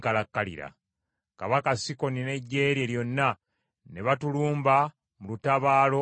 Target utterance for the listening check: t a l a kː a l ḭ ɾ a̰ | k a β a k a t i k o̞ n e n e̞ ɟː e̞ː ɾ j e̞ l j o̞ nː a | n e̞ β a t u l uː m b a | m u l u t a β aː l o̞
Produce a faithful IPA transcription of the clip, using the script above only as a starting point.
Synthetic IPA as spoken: k a l a kː a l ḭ ɾ a̰ | k a β a k a s i k o̞ n i n e̞ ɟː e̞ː ɾ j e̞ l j o̞ nː a | n e̞ β a t u l uː m b a | m u l u t a β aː l o̞